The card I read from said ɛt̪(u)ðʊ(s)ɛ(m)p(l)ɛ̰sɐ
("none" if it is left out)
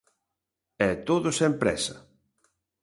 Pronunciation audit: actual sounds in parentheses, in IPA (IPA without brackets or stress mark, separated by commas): o, s, m, ɾ